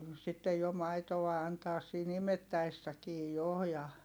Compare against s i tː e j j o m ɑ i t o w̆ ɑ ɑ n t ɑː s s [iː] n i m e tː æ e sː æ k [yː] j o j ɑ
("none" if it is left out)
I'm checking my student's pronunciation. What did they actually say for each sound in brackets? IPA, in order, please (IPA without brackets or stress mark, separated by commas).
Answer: iː, iː